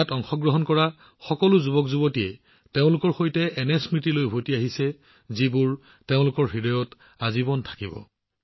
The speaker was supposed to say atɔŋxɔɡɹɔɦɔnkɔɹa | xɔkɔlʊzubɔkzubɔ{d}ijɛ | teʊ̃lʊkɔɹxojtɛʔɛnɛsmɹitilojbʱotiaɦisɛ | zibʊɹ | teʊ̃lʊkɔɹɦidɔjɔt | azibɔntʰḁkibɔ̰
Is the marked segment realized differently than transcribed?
yes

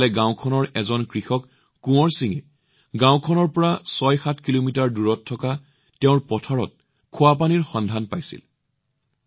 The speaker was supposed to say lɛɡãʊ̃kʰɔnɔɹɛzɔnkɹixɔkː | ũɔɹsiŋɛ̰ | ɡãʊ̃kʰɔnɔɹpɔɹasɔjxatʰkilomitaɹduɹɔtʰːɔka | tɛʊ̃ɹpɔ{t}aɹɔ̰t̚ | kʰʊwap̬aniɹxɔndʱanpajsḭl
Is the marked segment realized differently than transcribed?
yes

